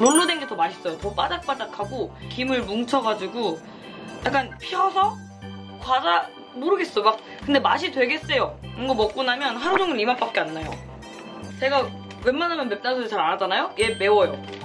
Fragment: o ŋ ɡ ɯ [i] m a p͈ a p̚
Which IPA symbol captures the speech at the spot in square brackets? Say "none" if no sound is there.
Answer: i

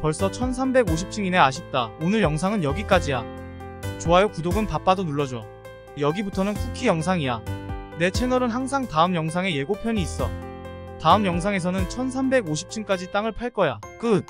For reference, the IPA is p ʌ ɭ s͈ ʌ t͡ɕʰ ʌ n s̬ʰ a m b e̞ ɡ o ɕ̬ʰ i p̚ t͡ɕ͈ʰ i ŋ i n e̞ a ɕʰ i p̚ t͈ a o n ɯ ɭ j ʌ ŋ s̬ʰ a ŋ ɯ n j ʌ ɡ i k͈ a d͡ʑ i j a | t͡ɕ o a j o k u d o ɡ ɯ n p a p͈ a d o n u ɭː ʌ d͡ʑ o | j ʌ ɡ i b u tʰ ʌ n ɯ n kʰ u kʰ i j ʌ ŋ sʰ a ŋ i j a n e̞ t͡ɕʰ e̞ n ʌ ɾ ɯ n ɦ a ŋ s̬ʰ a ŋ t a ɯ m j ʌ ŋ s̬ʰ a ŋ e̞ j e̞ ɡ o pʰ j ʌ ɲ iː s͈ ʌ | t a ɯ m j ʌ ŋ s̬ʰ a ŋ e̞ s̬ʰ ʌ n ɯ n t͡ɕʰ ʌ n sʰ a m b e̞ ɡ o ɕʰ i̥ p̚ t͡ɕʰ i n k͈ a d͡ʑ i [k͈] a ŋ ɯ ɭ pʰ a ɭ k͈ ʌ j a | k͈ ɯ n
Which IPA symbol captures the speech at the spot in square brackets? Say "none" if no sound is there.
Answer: t͈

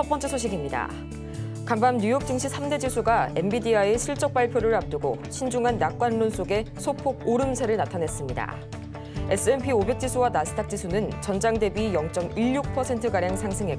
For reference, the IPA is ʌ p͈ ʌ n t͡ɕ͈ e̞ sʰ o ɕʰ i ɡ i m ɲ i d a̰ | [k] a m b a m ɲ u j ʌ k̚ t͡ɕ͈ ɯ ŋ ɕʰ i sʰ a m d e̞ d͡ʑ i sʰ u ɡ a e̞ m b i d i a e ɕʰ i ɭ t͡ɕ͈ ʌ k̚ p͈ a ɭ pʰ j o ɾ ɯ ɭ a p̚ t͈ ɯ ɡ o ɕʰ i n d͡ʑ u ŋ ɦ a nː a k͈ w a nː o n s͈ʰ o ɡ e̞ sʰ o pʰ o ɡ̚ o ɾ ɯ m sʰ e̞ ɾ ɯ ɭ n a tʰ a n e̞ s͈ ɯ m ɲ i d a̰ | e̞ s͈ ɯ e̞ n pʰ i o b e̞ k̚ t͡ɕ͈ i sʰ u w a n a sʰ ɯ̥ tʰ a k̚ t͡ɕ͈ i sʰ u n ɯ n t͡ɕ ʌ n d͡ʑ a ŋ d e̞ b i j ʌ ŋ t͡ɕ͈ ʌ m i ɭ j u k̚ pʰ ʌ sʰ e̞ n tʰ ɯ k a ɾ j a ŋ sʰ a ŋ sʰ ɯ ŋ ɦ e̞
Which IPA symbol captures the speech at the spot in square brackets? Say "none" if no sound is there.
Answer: k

